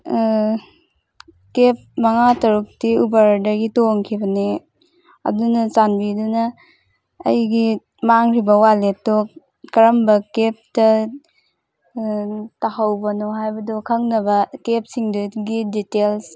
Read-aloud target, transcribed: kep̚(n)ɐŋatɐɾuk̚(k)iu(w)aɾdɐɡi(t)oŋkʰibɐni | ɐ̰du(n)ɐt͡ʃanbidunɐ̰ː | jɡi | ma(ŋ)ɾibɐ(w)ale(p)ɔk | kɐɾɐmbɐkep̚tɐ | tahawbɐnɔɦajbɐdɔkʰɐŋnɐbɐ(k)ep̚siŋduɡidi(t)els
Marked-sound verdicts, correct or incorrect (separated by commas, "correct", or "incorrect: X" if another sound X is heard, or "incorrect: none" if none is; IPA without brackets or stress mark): incorrect: m, incorrect: t, incorrect: b, correct, correct, correct, correct, incorrect: t, correct, correct